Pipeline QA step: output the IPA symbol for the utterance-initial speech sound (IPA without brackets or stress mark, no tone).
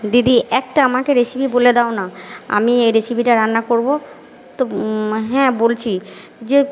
d̪